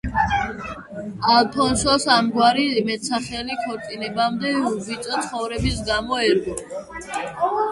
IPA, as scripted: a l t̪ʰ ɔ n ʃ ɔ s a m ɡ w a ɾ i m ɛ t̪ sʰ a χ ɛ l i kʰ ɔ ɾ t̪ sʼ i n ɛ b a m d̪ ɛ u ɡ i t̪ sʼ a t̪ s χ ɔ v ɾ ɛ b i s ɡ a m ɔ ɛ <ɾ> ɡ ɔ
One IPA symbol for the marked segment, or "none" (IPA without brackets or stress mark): ɾ